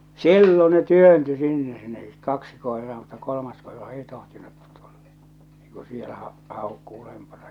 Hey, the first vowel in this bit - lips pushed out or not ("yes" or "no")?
no